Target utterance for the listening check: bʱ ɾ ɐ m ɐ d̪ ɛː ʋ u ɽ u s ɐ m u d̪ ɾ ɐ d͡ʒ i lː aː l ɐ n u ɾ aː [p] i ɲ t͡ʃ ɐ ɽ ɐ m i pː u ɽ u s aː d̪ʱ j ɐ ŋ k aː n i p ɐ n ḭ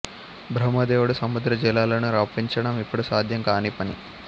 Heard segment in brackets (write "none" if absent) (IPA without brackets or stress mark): p